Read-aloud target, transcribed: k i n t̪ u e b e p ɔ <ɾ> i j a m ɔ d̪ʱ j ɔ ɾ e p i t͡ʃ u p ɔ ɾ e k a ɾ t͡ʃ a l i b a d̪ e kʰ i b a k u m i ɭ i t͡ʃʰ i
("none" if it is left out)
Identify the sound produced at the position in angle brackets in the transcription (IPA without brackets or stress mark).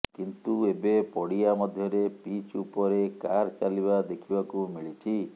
ɽ